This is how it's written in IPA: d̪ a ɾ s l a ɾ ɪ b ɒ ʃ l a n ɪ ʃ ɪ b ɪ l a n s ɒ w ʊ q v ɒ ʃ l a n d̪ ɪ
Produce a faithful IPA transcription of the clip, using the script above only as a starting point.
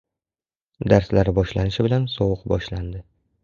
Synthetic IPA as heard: d̪ a ɾ s l a ɾ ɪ b ɒ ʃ l a n ɪ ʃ ɪ b ɪ l a n s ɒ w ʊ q b ɒ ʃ l a n d̪ ɪ